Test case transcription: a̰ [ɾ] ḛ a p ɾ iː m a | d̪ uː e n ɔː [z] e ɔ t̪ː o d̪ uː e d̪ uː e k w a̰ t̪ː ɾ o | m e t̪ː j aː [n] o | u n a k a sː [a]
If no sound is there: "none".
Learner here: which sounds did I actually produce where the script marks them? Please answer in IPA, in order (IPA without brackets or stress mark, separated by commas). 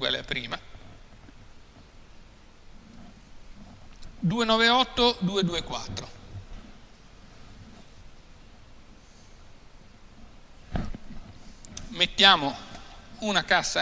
l, v, m, a